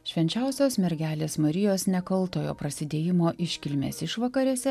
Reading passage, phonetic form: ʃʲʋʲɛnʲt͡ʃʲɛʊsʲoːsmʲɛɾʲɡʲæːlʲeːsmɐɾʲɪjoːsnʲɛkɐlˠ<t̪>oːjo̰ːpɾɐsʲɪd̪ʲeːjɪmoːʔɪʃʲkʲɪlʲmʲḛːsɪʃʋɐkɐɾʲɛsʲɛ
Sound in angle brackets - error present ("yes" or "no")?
no